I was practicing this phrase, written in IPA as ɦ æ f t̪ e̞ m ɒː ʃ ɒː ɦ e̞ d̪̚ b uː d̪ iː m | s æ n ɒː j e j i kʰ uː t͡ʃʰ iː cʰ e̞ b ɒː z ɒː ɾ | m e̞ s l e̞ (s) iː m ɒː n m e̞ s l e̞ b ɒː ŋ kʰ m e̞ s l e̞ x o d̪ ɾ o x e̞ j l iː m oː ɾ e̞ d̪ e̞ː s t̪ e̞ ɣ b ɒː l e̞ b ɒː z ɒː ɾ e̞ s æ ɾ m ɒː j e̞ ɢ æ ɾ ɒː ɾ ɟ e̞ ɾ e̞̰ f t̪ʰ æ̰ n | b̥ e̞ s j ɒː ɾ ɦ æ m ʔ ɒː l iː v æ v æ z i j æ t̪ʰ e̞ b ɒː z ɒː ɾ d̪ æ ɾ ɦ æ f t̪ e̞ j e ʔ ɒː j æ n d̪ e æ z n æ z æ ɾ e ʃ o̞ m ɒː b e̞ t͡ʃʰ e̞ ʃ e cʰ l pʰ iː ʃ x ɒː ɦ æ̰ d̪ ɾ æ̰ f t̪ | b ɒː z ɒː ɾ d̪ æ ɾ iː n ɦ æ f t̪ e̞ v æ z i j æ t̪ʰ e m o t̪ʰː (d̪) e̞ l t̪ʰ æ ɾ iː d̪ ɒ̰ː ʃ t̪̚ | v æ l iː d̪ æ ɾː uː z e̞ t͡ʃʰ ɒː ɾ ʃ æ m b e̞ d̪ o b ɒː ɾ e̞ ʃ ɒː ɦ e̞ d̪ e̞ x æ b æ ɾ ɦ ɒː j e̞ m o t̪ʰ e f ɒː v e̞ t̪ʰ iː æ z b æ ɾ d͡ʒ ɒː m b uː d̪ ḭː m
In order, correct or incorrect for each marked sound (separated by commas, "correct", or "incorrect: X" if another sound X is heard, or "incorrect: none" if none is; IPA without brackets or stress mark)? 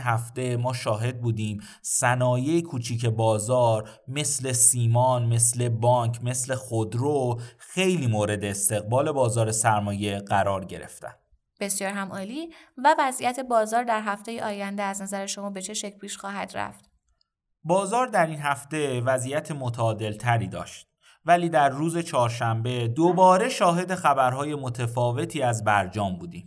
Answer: correct, correct